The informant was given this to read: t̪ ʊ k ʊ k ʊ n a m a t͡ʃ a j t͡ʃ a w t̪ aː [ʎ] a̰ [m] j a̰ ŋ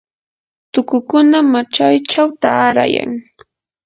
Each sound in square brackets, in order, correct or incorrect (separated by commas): incorrect, incorrect